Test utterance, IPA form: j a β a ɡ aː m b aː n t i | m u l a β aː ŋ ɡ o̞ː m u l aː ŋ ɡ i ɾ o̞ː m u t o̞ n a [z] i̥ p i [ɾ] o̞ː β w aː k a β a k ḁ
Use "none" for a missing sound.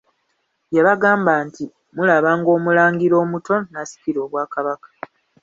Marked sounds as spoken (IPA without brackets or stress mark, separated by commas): s, ɾ